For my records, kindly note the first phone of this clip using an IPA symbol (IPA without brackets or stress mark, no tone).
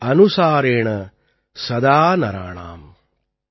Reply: ɐ